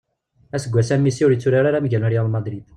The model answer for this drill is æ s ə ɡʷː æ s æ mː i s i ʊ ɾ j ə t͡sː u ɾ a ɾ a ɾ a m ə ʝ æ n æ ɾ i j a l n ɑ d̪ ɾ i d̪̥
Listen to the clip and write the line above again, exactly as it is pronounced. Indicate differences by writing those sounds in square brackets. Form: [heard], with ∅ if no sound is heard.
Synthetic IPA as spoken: æ s ə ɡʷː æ s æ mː i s i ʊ ɾ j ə t͡sː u ɾ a ɾ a ɾ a m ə ʝ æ n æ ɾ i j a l [m] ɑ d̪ ɾ i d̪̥